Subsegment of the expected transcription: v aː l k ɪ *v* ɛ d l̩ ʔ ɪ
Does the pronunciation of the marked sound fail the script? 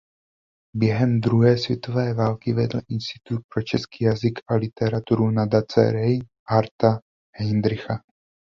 no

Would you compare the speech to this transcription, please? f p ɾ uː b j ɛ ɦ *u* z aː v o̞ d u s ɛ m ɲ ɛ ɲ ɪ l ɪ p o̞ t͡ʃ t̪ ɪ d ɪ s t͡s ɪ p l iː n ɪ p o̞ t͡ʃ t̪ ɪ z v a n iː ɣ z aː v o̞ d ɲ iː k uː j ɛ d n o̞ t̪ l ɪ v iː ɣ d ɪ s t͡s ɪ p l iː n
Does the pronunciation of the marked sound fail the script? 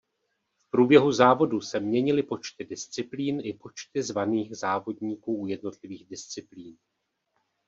no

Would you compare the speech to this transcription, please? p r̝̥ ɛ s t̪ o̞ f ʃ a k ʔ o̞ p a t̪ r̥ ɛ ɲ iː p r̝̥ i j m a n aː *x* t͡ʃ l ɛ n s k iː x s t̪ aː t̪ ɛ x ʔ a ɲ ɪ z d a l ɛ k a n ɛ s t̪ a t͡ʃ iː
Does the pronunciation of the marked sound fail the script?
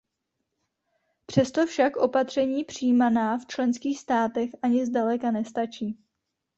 yes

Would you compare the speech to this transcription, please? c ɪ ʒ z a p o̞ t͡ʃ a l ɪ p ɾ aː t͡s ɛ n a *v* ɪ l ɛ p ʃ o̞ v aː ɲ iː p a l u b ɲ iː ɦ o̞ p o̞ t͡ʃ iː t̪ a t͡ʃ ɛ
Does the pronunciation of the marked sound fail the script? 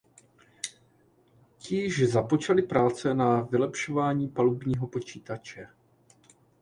no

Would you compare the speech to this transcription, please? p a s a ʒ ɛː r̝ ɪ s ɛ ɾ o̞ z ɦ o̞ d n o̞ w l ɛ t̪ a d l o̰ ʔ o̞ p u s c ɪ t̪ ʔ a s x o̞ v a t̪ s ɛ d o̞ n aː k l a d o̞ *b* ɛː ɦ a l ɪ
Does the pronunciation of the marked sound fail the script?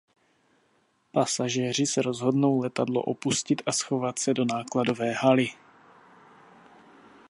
yes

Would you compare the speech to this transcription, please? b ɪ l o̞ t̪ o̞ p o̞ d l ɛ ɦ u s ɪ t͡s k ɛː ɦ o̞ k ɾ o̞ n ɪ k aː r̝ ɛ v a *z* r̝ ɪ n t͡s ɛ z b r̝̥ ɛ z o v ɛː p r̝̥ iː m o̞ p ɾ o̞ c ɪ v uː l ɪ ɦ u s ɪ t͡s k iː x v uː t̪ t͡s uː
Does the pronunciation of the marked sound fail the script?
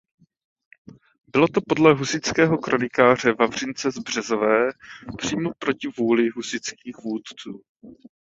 yes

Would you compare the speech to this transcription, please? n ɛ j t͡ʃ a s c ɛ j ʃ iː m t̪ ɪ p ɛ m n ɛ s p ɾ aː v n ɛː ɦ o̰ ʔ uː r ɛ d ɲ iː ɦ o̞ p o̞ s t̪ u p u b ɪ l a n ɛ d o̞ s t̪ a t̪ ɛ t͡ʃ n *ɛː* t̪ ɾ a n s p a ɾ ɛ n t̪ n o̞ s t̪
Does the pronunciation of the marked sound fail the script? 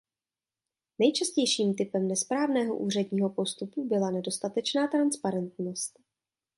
yes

